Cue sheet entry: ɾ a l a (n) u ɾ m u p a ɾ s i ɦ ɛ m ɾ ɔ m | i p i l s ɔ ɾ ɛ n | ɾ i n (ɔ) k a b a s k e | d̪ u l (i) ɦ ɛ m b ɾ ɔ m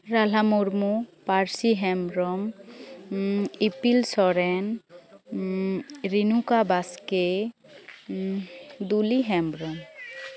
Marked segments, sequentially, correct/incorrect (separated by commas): incorrect, incorrect, correct